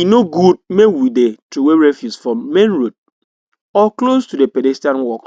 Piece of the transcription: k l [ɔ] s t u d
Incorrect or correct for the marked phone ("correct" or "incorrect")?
incorrect